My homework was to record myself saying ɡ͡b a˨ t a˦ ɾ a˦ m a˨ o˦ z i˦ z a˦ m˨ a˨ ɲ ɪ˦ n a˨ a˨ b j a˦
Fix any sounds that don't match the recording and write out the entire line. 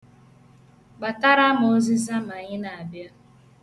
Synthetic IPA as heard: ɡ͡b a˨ t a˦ ɾ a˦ m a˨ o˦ z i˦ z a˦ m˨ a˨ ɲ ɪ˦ n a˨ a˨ b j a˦